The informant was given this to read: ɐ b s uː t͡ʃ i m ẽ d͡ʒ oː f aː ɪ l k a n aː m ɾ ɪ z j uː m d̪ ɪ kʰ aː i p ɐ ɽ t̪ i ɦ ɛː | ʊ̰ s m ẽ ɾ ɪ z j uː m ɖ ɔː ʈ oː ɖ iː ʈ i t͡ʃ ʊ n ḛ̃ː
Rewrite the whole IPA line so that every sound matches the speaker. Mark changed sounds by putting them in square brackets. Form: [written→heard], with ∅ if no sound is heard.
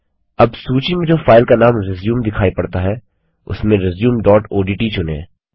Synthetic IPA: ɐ b s uː t͡ʃ i m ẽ d͡ʒ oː f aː ɪ l k a n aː m ɾ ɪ z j uː m d̪ ɪ kʰ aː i p ɐ ɽ t̪ [i→a] ɦ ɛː | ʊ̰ s m ẽ ɾ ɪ z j uː m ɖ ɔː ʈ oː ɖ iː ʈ i t͡ʃ ʊ n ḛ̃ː